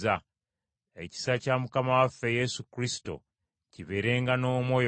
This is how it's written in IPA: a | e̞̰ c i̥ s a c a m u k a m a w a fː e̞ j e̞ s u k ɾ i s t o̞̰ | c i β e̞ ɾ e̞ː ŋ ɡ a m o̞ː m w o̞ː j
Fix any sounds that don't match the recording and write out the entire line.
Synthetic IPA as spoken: a | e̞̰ c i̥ s a c a m u k a m a w a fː e̞ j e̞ s u k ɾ i s t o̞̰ | c i β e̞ ɾ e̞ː ŋ ɡ a n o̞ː m w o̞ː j